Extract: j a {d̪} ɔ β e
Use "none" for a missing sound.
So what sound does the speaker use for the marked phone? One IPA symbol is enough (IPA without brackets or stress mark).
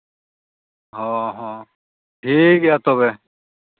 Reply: t̪